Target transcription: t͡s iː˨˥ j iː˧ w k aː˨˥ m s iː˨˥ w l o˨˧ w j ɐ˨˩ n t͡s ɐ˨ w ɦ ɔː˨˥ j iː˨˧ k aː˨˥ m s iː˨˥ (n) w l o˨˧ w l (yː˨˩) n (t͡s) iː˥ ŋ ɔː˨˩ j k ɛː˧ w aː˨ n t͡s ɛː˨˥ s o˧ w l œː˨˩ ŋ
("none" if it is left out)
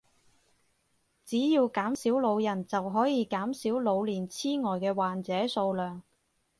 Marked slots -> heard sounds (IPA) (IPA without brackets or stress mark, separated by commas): none, iː˨˩, t͡sʰ